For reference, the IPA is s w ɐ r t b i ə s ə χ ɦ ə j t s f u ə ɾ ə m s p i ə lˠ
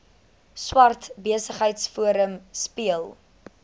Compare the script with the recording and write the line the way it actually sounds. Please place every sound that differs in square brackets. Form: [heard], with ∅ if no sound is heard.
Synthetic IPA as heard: s w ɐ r t b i ə s ə χ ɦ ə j t s f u ə ɾ ə m s p i ə lˠ